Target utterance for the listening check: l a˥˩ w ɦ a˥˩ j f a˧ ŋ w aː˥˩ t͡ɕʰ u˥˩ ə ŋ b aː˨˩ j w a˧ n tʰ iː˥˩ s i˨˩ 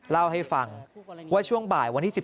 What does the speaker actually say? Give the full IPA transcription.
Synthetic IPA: l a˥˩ w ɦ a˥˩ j f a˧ ŋ w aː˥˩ t͡ɕʰ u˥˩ ə ŋ b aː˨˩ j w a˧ n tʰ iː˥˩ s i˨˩